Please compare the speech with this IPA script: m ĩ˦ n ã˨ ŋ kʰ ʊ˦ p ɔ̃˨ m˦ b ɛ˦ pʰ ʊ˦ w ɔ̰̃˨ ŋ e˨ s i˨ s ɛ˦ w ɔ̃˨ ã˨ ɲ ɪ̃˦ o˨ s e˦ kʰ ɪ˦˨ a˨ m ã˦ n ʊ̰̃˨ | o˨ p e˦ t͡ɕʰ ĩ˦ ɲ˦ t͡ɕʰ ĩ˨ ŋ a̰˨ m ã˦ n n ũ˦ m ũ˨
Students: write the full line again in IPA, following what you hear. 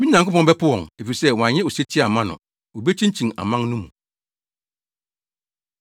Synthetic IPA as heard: m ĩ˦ n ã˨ ŋ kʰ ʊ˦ p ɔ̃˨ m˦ b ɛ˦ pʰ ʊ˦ w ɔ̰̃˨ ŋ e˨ f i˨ s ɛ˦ w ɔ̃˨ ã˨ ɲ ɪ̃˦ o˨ s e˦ tʰ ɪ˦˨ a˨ m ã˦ n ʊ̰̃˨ | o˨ b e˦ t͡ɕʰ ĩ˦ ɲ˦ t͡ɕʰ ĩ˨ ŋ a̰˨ m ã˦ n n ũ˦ m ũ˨